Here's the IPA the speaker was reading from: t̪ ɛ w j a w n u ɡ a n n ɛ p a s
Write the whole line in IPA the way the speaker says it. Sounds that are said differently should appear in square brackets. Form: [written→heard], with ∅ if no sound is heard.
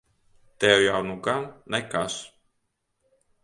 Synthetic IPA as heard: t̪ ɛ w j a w n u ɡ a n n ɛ [p→k] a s

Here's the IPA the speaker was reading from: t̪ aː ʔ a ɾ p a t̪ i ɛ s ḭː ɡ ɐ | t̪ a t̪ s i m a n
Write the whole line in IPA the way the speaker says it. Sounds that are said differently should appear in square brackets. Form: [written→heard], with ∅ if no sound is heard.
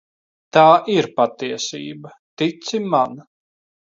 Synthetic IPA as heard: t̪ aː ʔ [a→i] ɾ p a t̪ i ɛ s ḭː [ɡ→b] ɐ | t̪ [a→i] t̪ s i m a n

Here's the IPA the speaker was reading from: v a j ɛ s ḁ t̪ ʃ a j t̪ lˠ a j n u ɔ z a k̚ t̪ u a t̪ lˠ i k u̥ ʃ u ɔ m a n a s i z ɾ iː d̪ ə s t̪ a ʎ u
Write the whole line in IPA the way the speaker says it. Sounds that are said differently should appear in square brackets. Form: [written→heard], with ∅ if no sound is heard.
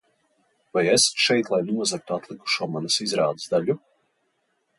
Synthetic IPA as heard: v a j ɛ s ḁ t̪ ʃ [a→ɛ] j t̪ lˠ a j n u ɔ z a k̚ t̪ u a t̪ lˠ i k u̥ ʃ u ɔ m a n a s i z ɾ [iː→aː] d̪ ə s [t̪→d̪] a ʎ u

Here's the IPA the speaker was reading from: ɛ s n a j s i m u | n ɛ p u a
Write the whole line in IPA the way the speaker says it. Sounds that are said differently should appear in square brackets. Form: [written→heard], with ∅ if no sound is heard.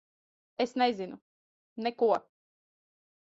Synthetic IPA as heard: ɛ s n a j [s→z] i [m→n] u | n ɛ [p→k] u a

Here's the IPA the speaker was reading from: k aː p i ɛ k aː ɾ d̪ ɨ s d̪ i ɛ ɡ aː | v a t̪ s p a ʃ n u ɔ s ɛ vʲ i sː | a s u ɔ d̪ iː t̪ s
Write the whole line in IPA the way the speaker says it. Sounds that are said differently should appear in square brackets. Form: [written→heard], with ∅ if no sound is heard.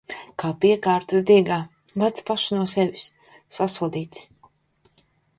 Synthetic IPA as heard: k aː p i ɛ k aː ɾ [d̪→t̪] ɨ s d̪ i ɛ ɡ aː | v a t̪ s p a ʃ n u ɔ s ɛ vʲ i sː | a s u ɔ d̪ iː t̪ s

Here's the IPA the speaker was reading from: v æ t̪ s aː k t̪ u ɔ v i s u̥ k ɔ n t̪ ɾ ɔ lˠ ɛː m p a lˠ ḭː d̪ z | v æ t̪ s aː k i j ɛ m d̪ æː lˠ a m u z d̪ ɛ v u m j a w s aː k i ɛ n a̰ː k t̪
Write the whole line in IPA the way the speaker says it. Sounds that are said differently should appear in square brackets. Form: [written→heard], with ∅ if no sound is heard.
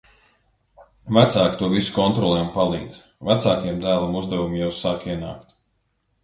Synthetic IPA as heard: v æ t̪ s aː k t̪ u ɔ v i s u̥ k ɔ n t̪ ɾ ɔ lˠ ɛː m p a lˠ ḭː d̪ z | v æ t̪ s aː k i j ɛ m d̪ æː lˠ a m u z d̪ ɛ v u m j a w s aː k i ɛ n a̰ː k t̪

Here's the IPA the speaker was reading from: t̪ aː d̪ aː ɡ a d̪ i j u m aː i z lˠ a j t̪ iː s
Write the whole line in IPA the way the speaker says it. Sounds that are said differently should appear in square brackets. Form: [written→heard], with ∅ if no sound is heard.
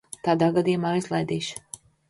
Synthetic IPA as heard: t̪ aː d̪ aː ɡ a d̪ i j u m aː i z lˠ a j [t̪→d̪] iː [s→ʃ]

